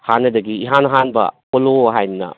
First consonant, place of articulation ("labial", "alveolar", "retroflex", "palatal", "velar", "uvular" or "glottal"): glottal